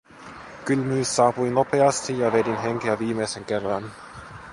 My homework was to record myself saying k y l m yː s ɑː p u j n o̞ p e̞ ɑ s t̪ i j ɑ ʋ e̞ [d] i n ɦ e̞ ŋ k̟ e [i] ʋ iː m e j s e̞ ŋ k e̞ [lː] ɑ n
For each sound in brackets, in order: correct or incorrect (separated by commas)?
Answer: correct, incorrect, incorrect